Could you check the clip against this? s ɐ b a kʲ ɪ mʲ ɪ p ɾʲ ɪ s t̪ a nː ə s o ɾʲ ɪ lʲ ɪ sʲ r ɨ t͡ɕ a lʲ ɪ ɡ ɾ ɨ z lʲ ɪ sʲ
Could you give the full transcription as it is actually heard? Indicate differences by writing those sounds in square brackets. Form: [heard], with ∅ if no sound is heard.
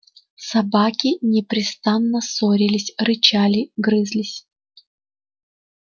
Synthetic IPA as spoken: s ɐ b a kʲ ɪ [nʲ] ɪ p ɾʲ ɪ s t̪ a nː ə s o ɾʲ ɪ lʲ ɪ sʲ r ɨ t͡ɕ a lʲ ɪ ɡ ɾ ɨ z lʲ ɪ sʲ